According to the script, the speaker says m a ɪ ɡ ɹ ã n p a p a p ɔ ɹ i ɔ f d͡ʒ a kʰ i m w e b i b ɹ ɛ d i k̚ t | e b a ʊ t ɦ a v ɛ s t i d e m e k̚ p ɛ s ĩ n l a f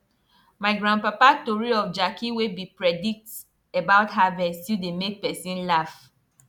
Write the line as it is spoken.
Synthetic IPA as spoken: m a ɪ ɡ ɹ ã n p a p a t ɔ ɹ i ɔ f d͡ʒ a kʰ i w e b i p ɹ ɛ d i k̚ t | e b a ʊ t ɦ a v ɛ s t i d e m e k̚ p ɛ s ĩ n l a f